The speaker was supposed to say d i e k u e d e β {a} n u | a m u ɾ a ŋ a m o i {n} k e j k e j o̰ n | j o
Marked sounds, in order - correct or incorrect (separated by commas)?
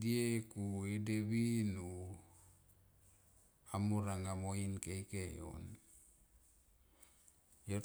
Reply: incorrect, correct